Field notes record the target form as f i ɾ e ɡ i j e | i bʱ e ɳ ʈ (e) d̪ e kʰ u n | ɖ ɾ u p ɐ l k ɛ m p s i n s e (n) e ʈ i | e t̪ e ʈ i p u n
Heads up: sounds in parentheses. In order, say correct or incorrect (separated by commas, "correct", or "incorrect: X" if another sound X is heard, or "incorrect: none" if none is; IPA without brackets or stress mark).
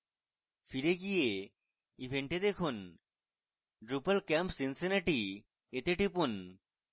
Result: correct, correct